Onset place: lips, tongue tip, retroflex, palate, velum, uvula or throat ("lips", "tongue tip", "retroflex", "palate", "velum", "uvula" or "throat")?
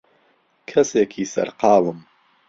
velum